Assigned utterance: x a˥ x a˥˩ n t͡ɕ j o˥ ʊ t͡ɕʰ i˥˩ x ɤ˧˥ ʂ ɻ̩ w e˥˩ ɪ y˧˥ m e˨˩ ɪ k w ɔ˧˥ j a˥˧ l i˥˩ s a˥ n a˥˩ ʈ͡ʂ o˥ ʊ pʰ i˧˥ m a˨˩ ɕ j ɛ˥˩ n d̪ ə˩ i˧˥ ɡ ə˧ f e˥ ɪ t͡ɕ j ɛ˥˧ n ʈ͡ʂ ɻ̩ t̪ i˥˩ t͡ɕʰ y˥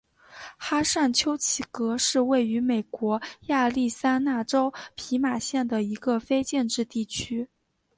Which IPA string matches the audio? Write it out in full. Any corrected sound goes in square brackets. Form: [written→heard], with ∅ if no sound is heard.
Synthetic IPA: x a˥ [x→ʂ] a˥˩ n [t͡ɕ→t͡ɕʰ] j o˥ ʊ t͡ɕʰ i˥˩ [x→k] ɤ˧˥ ʂ ɻ̩ w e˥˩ ɪ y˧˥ m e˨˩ ɪ k w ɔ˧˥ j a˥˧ l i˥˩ s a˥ n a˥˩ ʈ͡ʂ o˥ ʊ pʰ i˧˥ m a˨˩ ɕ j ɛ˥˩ n d̪ ə˩ i˧˥ ɡ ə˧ f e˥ ɪ t͡ɕ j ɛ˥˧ n ʈ͡ʂ ɻ̩ t̪ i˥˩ t͡ɕʰ y˥